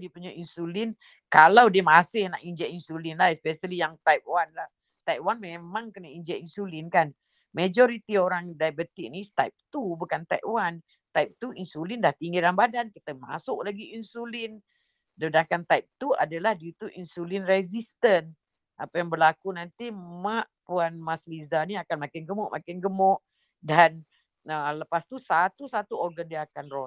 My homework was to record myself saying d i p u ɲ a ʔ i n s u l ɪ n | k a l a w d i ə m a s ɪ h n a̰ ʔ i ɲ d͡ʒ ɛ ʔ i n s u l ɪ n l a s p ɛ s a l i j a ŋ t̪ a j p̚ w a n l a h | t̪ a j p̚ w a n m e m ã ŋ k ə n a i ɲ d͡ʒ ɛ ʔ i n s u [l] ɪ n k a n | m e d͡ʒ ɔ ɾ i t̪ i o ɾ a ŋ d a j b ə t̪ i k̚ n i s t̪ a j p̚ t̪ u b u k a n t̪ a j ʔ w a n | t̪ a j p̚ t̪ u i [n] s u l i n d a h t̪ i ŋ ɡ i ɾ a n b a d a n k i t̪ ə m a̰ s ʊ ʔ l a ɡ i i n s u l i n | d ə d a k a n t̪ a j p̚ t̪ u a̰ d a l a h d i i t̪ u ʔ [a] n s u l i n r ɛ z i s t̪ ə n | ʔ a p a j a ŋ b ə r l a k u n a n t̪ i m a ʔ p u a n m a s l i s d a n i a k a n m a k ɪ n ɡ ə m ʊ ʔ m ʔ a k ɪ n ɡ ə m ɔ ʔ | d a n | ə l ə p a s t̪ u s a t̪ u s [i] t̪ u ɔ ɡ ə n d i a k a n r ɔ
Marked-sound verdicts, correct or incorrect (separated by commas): correct, correct, incorrect, incorrect